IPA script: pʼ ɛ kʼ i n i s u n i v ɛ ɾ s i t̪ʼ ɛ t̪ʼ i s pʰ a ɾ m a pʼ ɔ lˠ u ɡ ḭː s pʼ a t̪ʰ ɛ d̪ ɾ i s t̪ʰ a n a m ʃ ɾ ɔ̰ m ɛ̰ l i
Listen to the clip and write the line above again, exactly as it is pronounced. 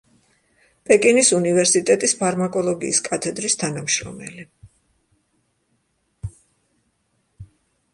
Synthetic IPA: pʼ ɛ kʼ i n i s u n i v ɛ ɾ s i t̪ʼ ɛ t̪ʼ i s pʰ a ɾ m a kʼ ɔ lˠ ɔ ɡ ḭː s kʼ a t̪ʰ ɛ d̪ ɾ i s t̪ʰ a n a m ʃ ɾ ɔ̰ m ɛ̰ l i